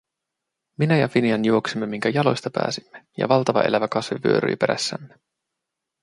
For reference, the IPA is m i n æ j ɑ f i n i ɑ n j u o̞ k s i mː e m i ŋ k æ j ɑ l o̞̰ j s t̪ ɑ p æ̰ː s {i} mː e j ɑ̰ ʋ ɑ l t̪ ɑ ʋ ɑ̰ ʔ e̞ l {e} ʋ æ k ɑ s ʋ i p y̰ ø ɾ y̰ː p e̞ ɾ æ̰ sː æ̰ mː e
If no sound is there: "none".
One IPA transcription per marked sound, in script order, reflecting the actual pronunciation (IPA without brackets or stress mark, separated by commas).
i, æ